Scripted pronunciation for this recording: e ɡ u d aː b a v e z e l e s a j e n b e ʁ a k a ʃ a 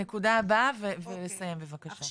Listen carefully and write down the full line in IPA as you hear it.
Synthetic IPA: e k u d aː b a v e v e l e s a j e m b e v a k a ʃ a